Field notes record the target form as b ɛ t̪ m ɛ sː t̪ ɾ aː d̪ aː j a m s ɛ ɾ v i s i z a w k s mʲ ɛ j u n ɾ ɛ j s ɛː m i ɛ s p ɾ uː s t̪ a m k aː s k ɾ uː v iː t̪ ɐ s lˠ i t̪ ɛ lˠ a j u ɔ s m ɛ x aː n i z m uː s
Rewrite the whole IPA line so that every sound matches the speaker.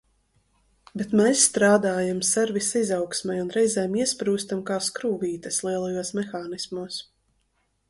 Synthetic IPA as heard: b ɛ t̪ m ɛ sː t̪ ɾ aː d̪ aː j a m s ɛ ɾ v i s i z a w k s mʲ ɛ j u n ɾ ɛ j z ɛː m i ɛ s p ɾ uː s t̪ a m k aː s k ɾ uː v iː t̪ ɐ s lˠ i ɛ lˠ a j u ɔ s m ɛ x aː n i s m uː s